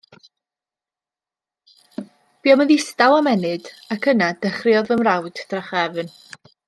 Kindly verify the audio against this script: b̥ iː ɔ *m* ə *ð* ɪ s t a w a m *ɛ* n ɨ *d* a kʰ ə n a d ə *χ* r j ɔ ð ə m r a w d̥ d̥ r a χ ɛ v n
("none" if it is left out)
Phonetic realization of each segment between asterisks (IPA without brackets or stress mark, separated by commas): m, ð, ɛ, d, χ